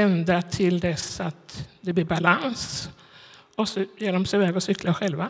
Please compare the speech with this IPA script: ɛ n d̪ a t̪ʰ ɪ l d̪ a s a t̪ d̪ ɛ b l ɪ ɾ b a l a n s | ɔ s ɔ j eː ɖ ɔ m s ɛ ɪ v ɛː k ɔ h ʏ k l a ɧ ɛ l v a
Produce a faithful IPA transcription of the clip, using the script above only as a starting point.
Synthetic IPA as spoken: ɛ n d̪ a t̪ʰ ɪ l d̪ ɛ s a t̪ d̪ ɛ b l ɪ ɾ b a l a n s | ɔ s ɔ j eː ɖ ɔ m s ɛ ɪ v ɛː ɡ ɔ s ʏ k l a ɧ ɛ l v a